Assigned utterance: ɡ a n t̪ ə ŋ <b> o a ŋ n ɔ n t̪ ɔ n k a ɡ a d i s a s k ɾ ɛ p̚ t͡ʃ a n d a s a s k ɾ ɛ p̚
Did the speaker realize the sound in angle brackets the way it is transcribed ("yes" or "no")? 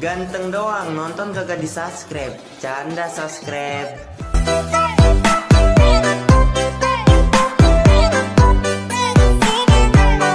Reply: no